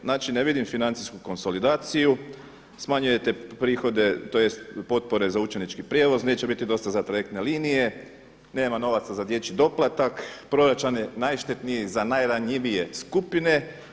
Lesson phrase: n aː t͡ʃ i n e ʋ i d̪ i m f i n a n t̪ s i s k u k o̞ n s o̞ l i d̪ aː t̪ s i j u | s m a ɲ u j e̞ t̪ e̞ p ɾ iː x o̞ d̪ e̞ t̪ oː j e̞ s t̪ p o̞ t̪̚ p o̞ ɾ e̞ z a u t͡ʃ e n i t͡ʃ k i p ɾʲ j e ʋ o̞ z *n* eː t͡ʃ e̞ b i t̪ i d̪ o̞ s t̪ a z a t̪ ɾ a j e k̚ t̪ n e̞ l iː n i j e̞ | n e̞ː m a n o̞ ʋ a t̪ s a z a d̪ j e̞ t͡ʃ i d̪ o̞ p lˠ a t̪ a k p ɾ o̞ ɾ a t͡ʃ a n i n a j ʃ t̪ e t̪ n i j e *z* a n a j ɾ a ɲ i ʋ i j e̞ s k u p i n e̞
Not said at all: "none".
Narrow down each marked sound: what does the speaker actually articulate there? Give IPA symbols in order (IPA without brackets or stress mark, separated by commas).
n, z